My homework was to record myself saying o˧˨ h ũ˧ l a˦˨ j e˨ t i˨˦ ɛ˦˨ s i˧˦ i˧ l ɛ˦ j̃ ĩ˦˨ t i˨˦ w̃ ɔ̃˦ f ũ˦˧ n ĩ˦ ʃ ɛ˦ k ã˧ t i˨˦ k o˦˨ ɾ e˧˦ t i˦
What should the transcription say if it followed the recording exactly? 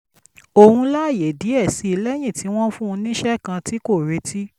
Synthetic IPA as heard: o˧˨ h ũ˧ l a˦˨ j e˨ d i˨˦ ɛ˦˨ s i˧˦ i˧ l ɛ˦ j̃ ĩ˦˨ t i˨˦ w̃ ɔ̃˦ f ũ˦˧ n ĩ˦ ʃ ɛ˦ k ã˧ t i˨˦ k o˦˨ ɾ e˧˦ t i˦